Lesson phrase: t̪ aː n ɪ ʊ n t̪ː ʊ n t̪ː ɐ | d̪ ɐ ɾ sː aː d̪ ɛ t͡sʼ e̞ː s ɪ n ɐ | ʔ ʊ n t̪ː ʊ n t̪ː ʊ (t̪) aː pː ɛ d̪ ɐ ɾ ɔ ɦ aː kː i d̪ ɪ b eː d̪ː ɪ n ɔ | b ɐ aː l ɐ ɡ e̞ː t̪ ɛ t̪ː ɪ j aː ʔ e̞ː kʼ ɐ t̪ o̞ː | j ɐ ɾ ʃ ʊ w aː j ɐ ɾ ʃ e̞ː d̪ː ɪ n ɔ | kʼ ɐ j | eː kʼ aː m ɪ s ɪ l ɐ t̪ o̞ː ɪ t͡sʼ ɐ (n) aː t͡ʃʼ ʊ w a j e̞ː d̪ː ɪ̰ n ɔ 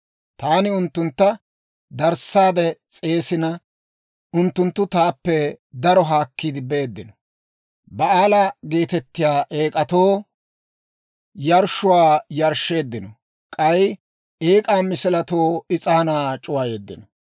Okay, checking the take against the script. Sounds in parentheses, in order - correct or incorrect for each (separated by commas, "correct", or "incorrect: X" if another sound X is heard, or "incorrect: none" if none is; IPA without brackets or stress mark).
correct, correct